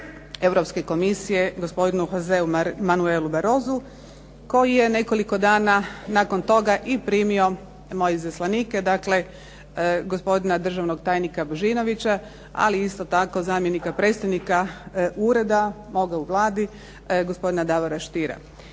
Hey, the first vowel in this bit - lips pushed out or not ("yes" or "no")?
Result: no